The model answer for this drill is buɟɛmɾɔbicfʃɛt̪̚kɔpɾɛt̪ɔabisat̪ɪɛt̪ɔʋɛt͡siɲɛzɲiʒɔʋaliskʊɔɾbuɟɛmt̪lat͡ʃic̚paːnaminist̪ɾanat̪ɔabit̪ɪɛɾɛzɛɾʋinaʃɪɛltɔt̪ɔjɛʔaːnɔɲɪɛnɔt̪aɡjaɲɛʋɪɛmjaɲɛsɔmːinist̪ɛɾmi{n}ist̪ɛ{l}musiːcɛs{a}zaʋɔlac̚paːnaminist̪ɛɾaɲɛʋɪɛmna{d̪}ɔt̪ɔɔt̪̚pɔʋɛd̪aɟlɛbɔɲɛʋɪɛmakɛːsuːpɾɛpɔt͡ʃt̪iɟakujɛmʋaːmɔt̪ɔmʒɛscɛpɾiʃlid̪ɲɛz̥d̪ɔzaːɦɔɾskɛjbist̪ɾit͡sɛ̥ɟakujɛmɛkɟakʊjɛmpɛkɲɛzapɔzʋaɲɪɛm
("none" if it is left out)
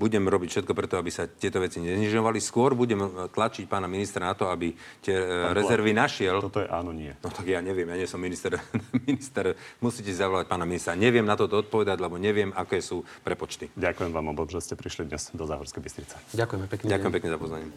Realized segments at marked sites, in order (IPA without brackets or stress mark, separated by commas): n, ɾ, i, t̪